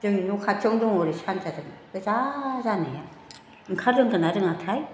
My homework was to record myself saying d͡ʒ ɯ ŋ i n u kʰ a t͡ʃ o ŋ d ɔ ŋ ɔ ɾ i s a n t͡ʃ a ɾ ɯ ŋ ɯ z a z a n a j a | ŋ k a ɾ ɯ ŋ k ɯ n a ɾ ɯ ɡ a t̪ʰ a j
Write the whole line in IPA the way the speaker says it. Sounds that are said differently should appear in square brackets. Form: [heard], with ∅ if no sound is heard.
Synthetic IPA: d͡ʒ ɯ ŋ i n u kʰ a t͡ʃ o ŋ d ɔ ŋ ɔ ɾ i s a n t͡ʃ a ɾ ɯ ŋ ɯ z a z a n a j a | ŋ [kʰ] a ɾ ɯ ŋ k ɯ n a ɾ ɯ [ŋ] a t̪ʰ a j